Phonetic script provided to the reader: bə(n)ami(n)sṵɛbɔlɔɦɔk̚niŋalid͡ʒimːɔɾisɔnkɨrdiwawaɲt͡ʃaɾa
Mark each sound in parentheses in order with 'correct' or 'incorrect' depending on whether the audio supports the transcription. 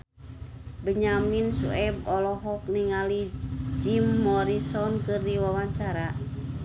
incorrect: ɲ, correct

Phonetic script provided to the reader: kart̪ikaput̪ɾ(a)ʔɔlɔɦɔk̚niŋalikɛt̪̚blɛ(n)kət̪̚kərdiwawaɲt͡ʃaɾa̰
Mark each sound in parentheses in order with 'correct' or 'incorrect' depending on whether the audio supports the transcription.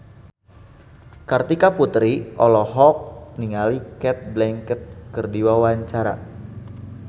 incorrect: i, incorrect: ŋ

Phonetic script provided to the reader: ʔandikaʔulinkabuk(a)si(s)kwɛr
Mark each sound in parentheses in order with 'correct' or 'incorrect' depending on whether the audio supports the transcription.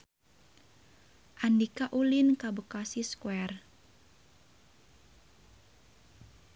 correct, correct

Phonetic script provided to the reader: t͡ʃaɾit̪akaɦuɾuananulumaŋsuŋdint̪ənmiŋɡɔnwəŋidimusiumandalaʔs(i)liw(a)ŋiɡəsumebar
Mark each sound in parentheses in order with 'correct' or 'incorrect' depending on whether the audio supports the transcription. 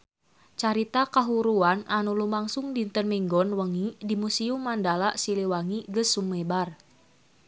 correct, correct

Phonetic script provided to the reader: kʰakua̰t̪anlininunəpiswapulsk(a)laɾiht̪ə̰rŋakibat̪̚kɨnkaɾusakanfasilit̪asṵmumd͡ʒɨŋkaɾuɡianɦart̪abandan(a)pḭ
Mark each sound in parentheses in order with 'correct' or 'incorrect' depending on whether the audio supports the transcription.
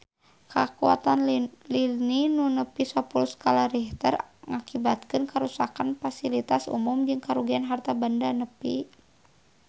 correct, incorrect: ə

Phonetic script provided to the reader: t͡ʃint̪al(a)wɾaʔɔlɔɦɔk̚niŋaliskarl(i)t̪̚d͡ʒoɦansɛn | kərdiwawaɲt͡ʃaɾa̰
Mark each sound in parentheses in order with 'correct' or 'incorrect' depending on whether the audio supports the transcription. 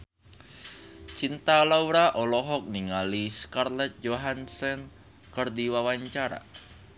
correct, incorrect: ɛ

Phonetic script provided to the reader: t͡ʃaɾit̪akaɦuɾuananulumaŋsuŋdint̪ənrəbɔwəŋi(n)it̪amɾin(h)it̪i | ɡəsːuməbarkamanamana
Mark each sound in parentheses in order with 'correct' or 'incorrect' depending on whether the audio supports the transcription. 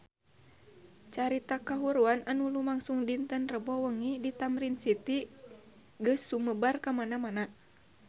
incorrect: d, incorrect: s

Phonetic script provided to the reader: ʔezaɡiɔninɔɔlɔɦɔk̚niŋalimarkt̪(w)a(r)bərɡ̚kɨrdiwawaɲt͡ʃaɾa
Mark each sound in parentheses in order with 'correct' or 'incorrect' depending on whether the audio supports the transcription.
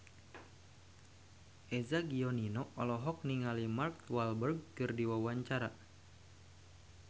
correct, incorrect: l

